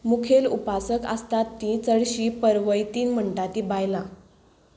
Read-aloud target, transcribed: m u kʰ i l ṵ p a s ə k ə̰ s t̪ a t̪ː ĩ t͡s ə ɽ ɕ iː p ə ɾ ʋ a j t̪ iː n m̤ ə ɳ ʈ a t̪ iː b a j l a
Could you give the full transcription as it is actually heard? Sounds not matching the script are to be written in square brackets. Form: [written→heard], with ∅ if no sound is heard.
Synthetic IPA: m u kʰ [i→e] l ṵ p a s ə k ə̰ s t̪ a t̪ː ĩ t͡s ə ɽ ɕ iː p ə ɾ ʋ [a→ə] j t̪ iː n m̤ ə ɳ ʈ a t̪ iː b a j l a